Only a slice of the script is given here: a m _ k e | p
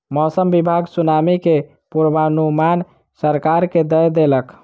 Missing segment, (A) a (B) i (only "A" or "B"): B